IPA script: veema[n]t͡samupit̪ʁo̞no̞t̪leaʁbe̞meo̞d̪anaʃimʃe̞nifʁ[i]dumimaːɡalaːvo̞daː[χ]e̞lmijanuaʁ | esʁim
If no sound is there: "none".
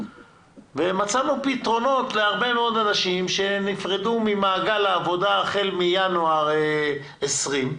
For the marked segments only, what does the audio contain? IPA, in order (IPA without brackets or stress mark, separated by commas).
none, e, χ